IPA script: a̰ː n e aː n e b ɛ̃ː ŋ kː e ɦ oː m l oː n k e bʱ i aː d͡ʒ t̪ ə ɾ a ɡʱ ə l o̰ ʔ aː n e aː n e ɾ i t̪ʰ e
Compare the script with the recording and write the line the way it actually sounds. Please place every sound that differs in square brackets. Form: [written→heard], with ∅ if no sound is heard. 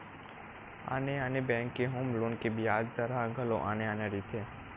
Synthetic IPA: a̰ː n e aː n e b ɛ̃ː ŋ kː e ɦ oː m l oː n k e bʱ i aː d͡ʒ t̪ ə ɾ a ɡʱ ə l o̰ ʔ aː n e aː n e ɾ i t̪ʰ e